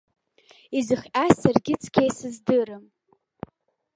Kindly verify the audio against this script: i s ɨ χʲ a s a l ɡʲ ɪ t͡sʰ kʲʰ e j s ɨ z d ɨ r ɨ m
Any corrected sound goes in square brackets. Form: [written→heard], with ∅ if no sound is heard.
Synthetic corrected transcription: i [s→z] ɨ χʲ a s a [l→r] ɡʲ ɪ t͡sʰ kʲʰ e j s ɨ z d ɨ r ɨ m